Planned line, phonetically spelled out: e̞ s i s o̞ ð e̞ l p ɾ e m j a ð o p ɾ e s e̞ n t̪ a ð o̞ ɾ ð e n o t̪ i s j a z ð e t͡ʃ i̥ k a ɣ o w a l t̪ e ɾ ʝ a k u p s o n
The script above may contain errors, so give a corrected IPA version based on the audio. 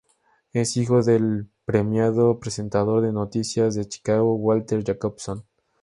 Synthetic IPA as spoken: e̞ s i x o̞ ð e̞ l p ɾ e m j a ð o p ɾ e s e̞ n t̪ a ð o̞ ɾ ð e n o t̪ i s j a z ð e t͡ʃ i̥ k a ɣ o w a l t̪ e ɾ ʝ a k o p s o n